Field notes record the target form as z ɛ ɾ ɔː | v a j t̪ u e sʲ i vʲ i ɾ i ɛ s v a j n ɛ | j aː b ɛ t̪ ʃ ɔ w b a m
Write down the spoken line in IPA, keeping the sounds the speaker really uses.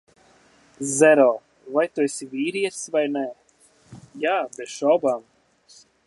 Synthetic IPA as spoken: z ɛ ɾ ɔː | v a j t̪ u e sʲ i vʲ iː ɾ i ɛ s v a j n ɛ | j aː b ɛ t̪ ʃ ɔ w b a m